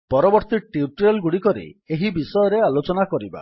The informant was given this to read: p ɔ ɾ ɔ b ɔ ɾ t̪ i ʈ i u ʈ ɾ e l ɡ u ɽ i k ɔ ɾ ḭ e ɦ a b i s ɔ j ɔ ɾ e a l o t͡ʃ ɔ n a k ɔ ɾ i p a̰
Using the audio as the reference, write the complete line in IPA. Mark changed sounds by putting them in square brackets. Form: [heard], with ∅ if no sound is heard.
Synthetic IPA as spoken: p ɔ ɾ ɔ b ɔ ɾ t̪ i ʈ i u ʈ ɾ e l ɡ u ɽ i k ɔ ɾ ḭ e ɦ [i] b i s ɔ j ɔ ɾ e a l o t͡ʃ ɔ n a k ɔ ɾ i [b] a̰

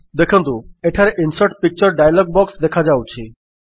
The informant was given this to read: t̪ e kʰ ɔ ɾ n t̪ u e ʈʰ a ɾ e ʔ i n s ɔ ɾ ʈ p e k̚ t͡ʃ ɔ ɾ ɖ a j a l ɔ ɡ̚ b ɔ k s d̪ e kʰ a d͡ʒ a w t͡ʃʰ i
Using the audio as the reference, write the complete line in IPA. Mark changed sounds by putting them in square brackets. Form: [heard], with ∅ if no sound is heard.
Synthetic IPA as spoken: [d̪] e kʰ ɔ [∅] n t̪ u e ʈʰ a ɾ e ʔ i n s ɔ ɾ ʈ p [i] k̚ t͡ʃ ɔ ɾ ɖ a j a l ɔ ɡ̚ b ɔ k s d̪ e kʰ a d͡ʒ a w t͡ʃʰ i

